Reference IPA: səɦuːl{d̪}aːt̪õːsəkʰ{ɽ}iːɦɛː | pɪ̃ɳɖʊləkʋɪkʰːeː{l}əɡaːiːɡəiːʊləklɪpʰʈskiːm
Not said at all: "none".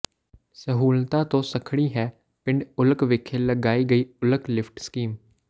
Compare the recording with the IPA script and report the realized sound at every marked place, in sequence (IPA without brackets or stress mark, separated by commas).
t̪, ɽ, l